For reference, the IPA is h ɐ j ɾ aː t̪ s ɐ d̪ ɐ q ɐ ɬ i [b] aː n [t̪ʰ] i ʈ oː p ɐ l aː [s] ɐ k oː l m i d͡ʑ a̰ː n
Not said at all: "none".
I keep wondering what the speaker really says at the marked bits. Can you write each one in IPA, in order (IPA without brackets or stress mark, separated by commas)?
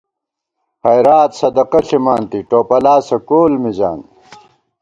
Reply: m, t̪, s